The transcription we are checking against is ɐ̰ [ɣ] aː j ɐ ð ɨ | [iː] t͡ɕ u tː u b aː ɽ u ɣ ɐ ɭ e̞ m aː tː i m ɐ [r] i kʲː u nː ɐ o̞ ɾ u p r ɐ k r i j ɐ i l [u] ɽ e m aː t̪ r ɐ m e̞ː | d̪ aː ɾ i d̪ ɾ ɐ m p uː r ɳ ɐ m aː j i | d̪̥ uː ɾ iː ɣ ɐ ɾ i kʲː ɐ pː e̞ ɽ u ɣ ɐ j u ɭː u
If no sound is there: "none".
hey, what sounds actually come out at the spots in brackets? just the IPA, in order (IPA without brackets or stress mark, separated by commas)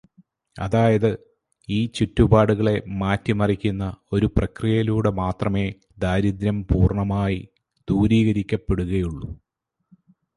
ð, iː, r, uː